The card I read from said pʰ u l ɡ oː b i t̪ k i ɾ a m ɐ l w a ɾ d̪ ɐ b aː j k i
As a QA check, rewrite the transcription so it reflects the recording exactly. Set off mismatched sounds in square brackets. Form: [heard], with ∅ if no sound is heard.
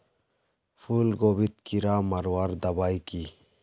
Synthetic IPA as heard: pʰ u l ɡ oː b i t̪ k i ɾ a m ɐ [ɾ] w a ɾ d̪ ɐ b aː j k i